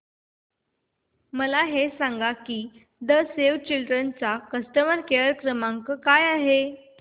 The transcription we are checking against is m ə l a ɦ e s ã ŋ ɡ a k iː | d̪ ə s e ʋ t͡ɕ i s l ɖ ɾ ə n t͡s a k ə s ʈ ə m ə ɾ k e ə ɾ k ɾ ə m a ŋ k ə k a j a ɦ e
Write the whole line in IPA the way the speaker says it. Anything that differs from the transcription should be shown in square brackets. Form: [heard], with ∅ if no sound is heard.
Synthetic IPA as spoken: m ə l a ɦ e s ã ŋ ɡ a k iː | d̪ ə s e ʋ t͡ɕ i [∅] l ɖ ɾ ə n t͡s a k ə s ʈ ə m ə ɾ k e ə ɾ k ɾ ə m a ŋ k ə k a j a ɦ e